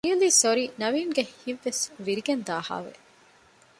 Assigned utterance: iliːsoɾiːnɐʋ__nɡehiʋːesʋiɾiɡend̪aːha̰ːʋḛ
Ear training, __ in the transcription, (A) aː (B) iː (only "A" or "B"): B